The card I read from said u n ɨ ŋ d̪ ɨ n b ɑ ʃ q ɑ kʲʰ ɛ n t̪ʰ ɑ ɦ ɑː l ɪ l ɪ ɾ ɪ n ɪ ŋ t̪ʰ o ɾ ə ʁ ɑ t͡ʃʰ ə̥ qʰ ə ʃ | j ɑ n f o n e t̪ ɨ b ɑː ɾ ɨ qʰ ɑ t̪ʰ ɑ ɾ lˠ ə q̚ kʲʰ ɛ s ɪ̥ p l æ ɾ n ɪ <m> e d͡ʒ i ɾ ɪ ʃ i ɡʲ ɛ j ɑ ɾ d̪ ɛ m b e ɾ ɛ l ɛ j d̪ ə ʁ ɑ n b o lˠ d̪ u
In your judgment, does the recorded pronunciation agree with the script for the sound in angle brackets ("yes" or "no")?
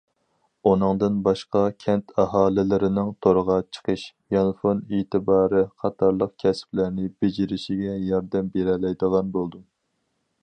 no